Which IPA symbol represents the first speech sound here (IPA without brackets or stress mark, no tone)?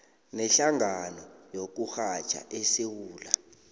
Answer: n